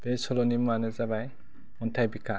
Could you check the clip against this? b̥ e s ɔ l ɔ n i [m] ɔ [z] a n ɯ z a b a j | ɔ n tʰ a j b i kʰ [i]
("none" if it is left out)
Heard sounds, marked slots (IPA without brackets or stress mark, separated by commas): m, none, a